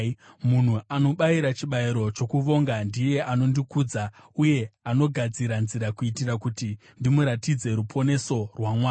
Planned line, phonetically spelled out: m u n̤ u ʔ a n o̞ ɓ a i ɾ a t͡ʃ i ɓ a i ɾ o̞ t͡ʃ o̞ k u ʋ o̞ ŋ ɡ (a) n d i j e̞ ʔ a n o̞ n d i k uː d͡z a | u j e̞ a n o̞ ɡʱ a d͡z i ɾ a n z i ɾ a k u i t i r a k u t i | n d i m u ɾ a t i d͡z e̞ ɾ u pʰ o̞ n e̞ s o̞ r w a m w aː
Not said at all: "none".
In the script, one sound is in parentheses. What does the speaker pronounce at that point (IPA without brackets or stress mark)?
a